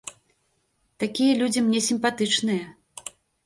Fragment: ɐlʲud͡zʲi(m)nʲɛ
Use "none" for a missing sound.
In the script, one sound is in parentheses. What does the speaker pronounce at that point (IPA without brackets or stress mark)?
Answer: m